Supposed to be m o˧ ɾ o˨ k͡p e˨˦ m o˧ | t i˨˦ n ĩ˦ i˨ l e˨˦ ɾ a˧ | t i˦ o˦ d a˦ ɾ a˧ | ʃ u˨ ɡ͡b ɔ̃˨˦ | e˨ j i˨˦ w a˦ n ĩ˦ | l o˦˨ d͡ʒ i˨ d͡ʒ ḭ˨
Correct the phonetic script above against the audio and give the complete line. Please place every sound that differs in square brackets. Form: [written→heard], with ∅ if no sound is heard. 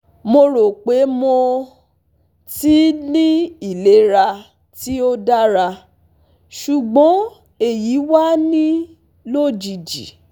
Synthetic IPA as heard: m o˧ ɾ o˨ k͡p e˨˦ m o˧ | t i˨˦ n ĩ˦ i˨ l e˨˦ ɾ a˧ | t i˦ o˦ d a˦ ɾ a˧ | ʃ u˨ ɡ͡b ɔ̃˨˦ | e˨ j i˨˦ w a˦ n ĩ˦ | l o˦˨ d͡ʒ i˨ d͡ʒ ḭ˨